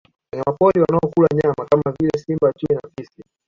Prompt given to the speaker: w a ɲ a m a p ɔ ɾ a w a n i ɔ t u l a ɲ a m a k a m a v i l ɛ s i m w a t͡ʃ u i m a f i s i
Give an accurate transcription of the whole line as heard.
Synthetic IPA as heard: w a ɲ a m a p ɔ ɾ i w a n a ɔ k u l a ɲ a m a k a m a v i l ɛ s i m b a t͡ʃ u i n a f i s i